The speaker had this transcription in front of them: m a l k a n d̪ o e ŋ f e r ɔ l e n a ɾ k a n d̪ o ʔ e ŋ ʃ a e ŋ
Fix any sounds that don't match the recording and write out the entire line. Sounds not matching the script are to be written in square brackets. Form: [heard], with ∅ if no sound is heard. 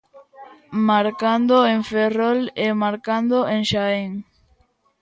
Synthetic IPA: m a [ɾ] k a n d̪ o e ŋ f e r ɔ l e [m] a ɾ k a n d̪ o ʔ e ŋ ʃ a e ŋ

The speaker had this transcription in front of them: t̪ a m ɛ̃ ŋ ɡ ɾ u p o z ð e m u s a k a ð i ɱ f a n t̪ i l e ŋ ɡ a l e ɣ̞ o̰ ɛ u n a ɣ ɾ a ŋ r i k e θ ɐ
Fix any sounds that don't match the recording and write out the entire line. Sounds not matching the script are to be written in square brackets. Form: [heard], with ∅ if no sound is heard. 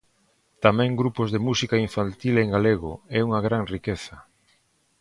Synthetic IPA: t̪ a m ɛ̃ ŋ ɡ ɾ u p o z ð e m u s [i] k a [∅] i ɱ f a n t̪ i l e ŋ ɡ a l e ɣ̞ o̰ ɛ u [ŋ] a ɣ ɾ a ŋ r i k e θ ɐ

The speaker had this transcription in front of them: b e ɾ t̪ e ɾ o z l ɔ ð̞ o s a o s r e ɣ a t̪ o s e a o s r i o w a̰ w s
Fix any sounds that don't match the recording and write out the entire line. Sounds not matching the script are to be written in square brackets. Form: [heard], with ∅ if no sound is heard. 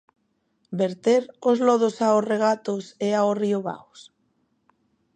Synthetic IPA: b e ɾ t̪ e ɾ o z l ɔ ð̞ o s a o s r e ɣ a t̪ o s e a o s r i o [β] a̰ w s

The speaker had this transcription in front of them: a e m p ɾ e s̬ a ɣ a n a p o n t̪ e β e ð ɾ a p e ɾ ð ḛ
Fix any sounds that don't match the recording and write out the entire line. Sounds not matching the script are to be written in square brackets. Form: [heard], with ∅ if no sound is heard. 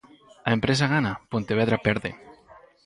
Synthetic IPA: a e m p ɾ e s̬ a ɣ a n a p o n t̪ e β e ð ɾ a p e ɾ ð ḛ

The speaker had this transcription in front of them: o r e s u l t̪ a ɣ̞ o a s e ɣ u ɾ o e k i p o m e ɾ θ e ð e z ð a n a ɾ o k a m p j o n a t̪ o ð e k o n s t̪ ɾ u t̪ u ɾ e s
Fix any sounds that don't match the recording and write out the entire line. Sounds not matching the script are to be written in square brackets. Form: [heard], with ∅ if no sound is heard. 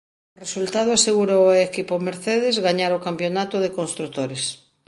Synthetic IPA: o r e s u l t̪ a [ð̞] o a s e ɣ u ɾ o e k i p o m e ɾ θ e ð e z [ɣ] a [ɲ] a ɾ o k a m p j o n a t̪ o ð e k o n s t̪ ɾ u t̪ [o] ɾ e s

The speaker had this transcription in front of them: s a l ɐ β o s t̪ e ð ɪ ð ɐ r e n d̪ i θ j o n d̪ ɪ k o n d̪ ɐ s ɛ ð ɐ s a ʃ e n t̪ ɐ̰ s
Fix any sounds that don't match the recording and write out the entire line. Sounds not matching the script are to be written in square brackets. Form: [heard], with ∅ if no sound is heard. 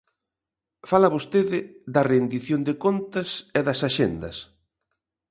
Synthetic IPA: [f] a l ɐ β o s t̪ e ð ɪ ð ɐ r e n d̪ i θ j o n d̪ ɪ k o n [t̪] ɐ s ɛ ð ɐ s a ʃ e n [d̪] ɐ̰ s

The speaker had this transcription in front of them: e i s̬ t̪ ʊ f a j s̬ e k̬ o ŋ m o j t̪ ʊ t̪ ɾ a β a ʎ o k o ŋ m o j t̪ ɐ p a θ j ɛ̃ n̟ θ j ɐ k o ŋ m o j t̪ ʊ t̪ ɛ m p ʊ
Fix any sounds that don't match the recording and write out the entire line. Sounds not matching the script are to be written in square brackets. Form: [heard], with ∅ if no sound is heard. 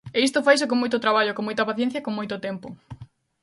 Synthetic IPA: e i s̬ t̪ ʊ f a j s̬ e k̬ o ŋ m o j t̪ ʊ t̪ ɾ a β a ʎ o k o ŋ m o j t̪ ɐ p a θ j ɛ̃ n̟ θ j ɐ k o ŋ m o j t̪ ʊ t̪ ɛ m p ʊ

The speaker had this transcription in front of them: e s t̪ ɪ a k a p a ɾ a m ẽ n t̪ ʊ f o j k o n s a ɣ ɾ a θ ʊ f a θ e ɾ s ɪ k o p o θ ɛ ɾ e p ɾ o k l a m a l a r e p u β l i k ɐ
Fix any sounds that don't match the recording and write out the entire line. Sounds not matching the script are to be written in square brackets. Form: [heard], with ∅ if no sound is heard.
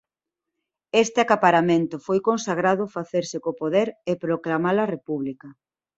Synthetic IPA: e s t̪ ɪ a k a p a ɾ a m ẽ n t̪ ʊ f o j k o n s a ɣ ɾ a [ð] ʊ f a θ e ɾ s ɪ k o p o [ð] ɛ ɾ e p ɾ o k l a m a l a r e p u β l i k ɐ

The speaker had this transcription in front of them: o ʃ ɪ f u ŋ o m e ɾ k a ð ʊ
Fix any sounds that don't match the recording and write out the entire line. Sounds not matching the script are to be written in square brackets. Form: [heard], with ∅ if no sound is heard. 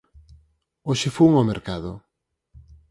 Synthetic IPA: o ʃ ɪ f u ŋ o m e ɾ k a ð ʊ

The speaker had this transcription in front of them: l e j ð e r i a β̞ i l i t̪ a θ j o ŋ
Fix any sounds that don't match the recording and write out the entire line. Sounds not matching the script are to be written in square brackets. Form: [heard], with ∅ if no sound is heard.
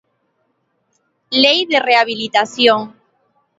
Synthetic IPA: l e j ð e r [e] a β̞ i l i t̪ a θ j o ŋ

